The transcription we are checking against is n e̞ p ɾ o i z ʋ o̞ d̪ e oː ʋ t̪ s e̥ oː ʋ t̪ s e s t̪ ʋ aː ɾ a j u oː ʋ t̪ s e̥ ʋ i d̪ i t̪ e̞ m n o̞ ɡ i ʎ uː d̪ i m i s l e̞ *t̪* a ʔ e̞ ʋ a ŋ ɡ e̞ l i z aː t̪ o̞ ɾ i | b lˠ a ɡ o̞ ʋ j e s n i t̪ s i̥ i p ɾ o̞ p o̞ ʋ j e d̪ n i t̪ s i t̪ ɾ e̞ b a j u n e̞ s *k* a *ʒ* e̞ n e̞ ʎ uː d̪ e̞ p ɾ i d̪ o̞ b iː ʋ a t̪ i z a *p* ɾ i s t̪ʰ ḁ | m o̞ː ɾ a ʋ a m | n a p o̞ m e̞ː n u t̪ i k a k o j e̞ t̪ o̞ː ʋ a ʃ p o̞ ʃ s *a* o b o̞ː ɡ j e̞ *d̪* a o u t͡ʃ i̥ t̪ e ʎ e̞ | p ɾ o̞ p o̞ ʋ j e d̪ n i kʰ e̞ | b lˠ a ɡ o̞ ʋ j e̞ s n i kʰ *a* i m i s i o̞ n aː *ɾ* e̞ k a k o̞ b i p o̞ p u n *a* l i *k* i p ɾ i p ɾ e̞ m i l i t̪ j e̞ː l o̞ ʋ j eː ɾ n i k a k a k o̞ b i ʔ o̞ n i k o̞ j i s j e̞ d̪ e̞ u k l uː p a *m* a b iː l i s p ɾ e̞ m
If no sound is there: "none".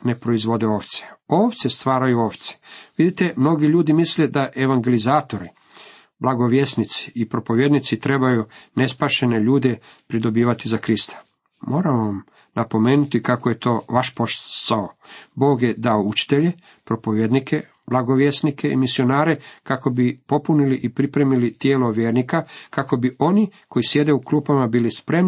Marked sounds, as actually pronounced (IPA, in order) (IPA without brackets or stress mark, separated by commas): d̪, p, ʃ, k, a, d̪, e, ɾ, i, ʔ, m